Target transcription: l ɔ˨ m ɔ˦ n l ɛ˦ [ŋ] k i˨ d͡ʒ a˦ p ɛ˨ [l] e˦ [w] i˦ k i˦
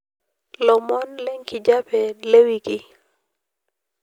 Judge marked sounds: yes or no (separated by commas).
yes, yes, yes